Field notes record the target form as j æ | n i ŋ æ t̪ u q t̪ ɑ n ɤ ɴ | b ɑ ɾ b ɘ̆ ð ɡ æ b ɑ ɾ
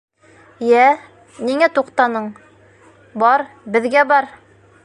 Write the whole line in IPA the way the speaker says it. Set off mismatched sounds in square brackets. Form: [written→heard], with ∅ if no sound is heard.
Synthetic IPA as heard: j æ | n i ŋ æ t̪ u q t̪ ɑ n ɤ ɴ | b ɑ ɾ b ɘ̆ ð ɡ æ b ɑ ɾ